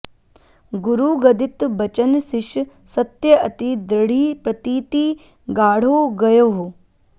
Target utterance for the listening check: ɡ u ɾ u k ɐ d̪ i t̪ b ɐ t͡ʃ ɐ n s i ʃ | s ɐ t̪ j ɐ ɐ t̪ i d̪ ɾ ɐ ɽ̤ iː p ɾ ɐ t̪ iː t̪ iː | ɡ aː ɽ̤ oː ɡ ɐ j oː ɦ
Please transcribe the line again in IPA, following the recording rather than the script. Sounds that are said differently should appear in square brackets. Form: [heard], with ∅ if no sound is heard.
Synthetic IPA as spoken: ɡ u ɾ u [ɡ] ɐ d̪ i t̪ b ɐ t͡ʃ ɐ n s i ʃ | s ɐ t̪ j ɐ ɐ t̪ i d̪ ɾ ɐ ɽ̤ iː p ɾ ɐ t̪ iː t̪ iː | ɡ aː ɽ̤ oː ɡ ɐ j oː ɦ

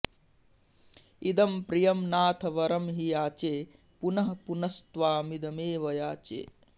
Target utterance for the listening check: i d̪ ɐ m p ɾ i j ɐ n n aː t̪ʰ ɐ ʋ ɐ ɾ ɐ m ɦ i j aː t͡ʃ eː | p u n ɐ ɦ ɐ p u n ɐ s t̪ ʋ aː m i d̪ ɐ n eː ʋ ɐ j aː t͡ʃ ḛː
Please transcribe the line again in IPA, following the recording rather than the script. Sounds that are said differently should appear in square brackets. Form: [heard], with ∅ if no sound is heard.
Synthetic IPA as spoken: i d̪ ɐ m p ɾ i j ɐ [m] n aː t̪ʰ ɐ ʋ ɐ ɾ ɐ m ɦ i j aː t͡ʃ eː | p u n ɐ ɦ ɐ p u n ɐ s t̪ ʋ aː m i d̪ ɐ [m] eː ʋ ɐ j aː t͡ʃ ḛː

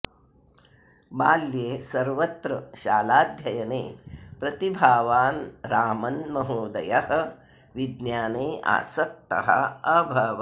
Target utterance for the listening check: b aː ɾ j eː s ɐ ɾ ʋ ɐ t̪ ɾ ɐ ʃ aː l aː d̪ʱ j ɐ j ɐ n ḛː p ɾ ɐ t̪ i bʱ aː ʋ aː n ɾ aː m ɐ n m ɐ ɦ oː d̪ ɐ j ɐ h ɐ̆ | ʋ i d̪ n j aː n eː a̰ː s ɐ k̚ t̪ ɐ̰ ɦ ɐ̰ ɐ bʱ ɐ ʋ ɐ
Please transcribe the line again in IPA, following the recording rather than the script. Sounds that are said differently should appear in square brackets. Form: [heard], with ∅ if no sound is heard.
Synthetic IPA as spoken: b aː [l] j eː s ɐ ɾ ʋ ɐ t̪ ɾ ɐ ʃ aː l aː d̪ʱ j ɐ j ɐ n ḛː p ɾ ɐ t̪ i bʱ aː ʋ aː n ɾ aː m ɐ n m ɐ ɦ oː d̪ ɐ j ɐ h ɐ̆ | ʋ i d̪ n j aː n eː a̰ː s ɐ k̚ t̪ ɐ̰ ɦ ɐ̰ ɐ bʱ ɐ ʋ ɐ

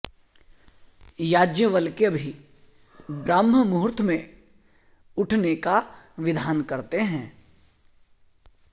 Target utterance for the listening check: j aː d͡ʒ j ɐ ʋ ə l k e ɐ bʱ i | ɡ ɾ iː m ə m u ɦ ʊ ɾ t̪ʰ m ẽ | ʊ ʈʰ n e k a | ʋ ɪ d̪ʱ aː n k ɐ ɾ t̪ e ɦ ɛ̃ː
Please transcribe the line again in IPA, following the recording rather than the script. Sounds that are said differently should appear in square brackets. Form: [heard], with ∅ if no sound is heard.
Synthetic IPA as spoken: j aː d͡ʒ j [ə] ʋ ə l k e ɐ bʱ i | [b] ɾ [aː] m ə m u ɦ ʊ ɾ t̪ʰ m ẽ | ʊ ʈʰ n e k a | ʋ ɪ d̪ʱ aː n k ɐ ɾ t̪ e ɦ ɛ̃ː

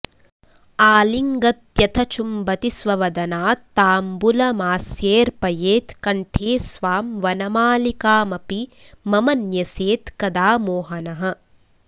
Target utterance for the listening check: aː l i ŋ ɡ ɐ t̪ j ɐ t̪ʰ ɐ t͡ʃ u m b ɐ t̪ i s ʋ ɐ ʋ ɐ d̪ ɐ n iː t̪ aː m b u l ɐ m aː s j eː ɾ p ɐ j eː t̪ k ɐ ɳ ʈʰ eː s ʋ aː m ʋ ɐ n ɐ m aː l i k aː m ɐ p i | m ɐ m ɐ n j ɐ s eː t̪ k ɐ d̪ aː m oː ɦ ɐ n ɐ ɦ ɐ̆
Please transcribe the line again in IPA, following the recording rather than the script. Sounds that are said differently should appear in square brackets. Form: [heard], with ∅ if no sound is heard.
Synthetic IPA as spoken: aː l i ŋ ɡ ɐ t̪ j ɐ t̪ʰ ɐ t͡ʃ u m b ɐ t̪ i s ʋ ɐ ʋ ɐ d̪ ɐ n [aː] t̪ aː m b u l ɐ m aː s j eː ɾ p ɐ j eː t̪ k ɐ ɳ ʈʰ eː s ʋ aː m ʋ ɐ n ɐ m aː l i k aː m ɐ p i | m ɐ m ɐ n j ɐ s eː t̪ k ɐ d̪ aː m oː ɦ ɐ n ɐ ɦ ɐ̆

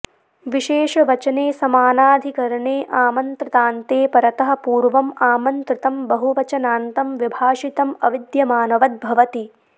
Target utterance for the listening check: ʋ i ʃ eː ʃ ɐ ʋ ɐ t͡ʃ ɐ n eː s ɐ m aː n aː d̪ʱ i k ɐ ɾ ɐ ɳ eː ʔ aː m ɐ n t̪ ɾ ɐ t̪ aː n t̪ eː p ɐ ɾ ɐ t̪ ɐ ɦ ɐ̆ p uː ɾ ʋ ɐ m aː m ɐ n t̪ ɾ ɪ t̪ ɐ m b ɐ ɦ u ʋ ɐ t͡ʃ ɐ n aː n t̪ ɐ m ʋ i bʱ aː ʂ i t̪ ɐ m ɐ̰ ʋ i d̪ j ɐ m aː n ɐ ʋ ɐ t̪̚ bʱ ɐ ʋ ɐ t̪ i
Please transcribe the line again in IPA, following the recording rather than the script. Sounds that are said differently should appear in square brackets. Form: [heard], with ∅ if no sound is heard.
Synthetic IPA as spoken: ʋ i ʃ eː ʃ ɐ ʋ ɐ t͡ʃ ɐ n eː s ɐ m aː n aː d̪ʱ i k ɐ ɾ ɐ ɳ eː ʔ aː m ɐ n t̪ ɾ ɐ t̪ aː n t̪ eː p ɐ ɾ ɐ t̪ ɐ ɦ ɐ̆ p uː ɾ ʋ ɐ m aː m ɐ n t̪ ɾ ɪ t̪ ɐ m b ɐ ɦ u ʋ ɐ t͡ʃ ɐ n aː n t̪ ɐ m ʋ i bʱ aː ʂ i t̪ ɐ m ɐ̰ ʋ i d̪ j ɐ m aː n ɐ ʋ ɐ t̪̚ bʱ ɐ ʋ ɐ t̪ i

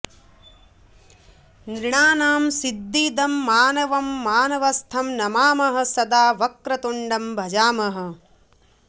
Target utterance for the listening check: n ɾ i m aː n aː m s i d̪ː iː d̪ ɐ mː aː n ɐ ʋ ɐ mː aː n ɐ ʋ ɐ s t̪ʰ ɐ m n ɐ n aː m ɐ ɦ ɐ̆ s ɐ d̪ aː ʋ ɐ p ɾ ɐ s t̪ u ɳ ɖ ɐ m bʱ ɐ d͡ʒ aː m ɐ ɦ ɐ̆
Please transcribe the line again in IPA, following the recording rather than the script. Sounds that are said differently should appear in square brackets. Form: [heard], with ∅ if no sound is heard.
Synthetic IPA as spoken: n ɾ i [ɳ] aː n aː m s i d̪ː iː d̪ ɐ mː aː n ɐ ʋ ɐ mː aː n ɐ ʋ ɐ s t̪ʰ ɐ m n ɐ [m] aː m ɐ ɦ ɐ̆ s ɐ d̪ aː ʋ ɐ [k] ɾ ɐ [∅] t̪ u ɳ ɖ ɐ m bʱ ɐ d͡ʒ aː m ɐ ɦ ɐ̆

